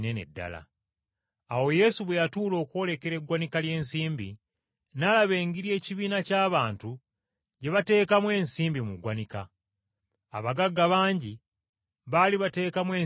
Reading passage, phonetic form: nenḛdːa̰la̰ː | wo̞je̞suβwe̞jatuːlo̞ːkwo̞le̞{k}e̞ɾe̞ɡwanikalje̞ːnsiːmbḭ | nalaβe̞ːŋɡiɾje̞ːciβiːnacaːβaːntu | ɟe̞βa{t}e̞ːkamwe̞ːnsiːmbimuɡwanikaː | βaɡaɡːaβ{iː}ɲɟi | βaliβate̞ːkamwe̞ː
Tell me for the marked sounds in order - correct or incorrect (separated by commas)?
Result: correct, correct, incorrect